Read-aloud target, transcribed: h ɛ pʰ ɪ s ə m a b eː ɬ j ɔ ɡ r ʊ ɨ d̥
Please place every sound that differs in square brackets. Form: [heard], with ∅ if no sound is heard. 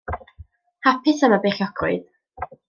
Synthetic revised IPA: h [a] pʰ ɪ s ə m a b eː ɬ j ɔ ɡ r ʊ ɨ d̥